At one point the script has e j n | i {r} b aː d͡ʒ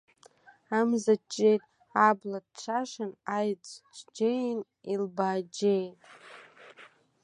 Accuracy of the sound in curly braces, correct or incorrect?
incorrect